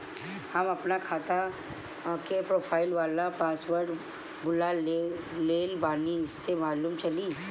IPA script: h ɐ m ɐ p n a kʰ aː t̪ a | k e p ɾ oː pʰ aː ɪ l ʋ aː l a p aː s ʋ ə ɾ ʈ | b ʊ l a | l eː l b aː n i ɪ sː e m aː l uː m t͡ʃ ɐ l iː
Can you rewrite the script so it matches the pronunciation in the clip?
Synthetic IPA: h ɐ m ɐ p n a kʰ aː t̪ a | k e p ɾ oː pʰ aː ɪ l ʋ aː l a p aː s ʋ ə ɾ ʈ | b ʊ l a | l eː l b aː n i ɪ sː e m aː l uː m t͡ʃ ɐ l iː

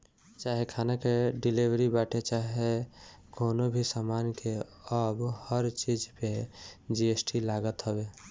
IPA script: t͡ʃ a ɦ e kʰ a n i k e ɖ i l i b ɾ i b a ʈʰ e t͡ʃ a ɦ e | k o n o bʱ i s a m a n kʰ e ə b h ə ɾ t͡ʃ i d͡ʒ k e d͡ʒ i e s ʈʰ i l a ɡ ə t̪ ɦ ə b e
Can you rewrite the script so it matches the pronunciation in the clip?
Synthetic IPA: t͡ʃ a ɦ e kʰ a n a k e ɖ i l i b ɾ i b a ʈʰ e t͡ʃ a ɦ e | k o n o bʱ i s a m a n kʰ e ə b h ə ɾ t͡ʃ i d͡ʒ p e d͡ʒ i e s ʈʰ i l a ɡ ə t̪ ɦ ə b e

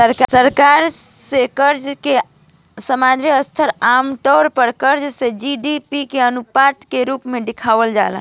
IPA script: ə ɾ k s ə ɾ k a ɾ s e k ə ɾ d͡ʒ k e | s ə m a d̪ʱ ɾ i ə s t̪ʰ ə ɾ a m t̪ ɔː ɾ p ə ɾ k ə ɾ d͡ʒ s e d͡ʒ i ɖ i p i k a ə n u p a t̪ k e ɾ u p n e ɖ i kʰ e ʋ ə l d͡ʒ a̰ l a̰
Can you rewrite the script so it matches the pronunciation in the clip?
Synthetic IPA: ə ɾ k s ə ɾ k a ɾ s e k ə ɾ d͡ʒ k e | s ə m a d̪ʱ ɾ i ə s t̪ʰ ə ɾ a m t̪ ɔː ɾ p ə ɾ k ə ɾ d͡ʒ s e d͡ʒ i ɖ i p i k e ə n u p a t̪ k e ɾ u p m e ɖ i kʰ a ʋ ə l d͡ʒ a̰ l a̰

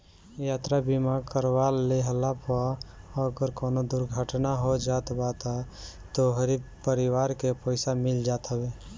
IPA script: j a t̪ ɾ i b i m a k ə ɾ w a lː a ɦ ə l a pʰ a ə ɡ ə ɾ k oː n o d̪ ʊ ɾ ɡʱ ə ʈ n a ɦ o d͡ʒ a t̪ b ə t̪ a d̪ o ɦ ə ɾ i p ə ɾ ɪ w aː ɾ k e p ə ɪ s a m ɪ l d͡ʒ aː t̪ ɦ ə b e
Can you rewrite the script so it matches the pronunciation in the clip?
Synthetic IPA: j a t̪ ɾ a b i m a k ə ɾ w a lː e ɦ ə l a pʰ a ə ɡ ə ɾ k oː n o d̪ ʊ ɾ ɡʱ ə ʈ n a ɦ o d͡ʒ a t̪ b a t̪ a t̪ o ɦ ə ɾ i p ə ɾ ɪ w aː ɾ k e p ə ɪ s a m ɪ l d͡ʒ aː t̪ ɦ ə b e

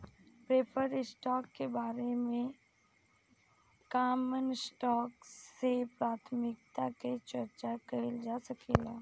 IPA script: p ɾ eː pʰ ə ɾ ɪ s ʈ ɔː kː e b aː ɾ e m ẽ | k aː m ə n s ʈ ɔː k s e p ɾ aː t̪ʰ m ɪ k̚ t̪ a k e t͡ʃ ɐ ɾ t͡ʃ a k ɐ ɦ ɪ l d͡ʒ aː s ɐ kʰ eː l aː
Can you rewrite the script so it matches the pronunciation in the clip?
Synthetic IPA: p ɾ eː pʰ ə ɾ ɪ s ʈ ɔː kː e b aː ɾ e m ẽ | k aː m ə n s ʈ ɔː k s e p ɾ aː t̪ʰ m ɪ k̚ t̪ a k e t͡ʃ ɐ ɾ t͡ʃ a k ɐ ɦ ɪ l d͡ʒ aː s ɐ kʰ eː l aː

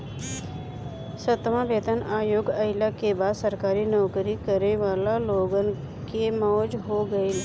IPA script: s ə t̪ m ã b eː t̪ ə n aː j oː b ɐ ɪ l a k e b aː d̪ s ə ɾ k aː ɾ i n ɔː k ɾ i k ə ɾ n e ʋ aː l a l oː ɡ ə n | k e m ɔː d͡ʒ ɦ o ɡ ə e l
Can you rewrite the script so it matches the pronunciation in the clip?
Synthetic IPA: s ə t̪ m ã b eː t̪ ə n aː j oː ɡ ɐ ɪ l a k e b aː d̪ s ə ɾ k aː ɾ i n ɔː k ɾ i k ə ɾ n e ʋ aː l a l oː ɡ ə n | k e m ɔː d͡ʒ ɦ o ɡ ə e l

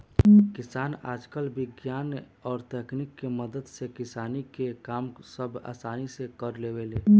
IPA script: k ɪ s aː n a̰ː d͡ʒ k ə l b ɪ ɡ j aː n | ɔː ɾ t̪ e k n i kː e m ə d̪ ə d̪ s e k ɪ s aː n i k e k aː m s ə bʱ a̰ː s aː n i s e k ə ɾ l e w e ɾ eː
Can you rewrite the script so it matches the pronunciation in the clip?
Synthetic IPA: k ɪ s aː n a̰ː d͡ʒ k ə l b ɪ ɡ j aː n | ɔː ɾ t̪ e k n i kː e m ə d̪ ə d̪ s e k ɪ s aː n i k e k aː m s ə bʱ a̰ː s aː n i s e k ə ɾ l e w e l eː

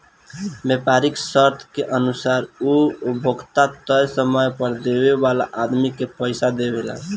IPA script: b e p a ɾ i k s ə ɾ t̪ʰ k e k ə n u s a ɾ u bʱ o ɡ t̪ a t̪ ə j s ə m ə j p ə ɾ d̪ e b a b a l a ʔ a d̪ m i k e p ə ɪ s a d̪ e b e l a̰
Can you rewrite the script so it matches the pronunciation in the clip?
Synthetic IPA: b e p a ɾ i k s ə ɾ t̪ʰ k e ʔ ə n u s a ɾ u bʱ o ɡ t̪ a t̪ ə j s ə m ə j p ə ɾ d̪ e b e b a l a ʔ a d̪ m i k e p ə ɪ s a d̪ e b e l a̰

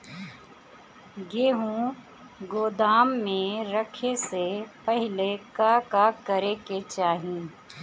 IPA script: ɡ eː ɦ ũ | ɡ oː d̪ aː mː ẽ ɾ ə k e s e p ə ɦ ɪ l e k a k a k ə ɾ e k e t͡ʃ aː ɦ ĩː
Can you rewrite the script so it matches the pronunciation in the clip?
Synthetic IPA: ɡ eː ɦ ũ | ɡ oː d̪ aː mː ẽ ɾ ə kʰ e s e p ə ɦ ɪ l e k a k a k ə ɾ e k e t͡ʃ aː ɦ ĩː

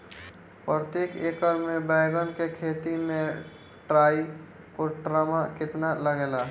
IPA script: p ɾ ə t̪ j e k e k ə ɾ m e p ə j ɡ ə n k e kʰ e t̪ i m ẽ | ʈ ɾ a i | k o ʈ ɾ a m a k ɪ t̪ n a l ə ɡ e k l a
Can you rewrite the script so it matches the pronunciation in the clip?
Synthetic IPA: p ɾ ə t̪ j e k e k ə ɾ m e b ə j ɡ ə n k e kʰ e t̪ i m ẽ | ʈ ɾ a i | k o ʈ ɾ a m a k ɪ t̪ n a l ə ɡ e l a

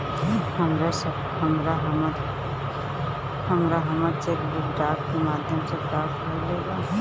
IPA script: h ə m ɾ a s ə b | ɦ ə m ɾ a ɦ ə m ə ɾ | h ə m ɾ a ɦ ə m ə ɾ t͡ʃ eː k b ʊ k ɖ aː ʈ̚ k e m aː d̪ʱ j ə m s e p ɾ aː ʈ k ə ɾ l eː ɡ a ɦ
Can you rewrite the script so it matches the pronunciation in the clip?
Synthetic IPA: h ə m ɾ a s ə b | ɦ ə m ɾ a ɦ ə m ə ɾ | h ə m ɾ a ɦ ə m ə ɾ t͡ʃ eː k b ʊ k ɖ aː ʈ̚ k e m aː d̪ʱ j ə m s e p ɾ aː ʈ k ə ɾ l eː ɡ a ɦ

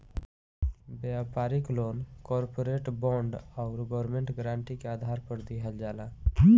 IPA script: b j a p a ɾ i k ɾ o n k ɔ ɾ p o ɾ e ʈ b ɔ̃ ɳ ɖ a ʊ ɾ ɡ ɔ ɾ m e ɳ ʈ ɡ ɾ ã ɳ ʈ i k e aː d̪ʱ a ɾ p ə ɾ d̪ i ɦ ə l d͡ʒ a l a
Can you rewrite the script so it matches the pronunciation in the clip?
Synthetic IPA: b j a p a ɾ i k l o n k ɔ ɾ p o ɾ e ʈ b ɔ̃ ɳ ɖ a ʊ ɾ ɡ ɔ ɾ m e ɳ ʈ ɡ ɾ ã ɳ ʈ i k e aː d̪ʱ a ɾ p ə ɾ d̪ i ɦ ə l d͡ʒ a l a

